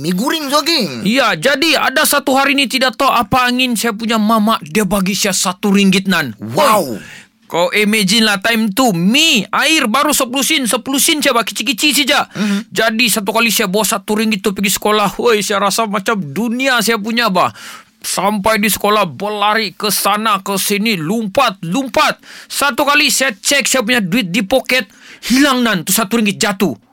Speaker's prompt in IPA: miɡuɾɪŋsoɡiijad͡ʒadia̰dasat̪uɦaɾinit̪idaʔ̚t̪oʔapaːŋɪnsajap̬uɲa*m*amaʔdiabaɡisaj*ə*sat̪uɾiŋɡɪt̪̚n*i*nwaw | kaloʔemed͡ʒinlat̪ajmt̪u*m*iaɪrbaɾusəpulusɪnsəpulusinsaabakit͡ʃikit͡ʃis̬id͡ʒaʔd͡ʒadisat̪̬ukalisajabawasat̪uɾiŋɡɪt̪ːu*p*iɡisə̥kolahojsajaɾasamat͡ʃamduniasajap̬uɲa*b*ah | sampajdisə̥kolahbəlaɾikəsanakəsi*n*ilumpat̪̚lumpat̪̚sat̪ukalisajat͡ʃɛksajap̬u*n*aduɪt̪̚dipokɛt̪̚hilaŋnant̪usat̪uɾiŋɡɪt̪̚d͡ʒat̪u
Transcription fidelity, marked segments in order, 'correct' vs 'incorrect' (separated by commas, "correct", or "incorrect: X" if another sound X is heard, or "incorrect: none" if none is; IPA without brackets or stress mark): correct, incorrect: a, incorrect: a, correct, correct, correct, correct, incorrect: ɲ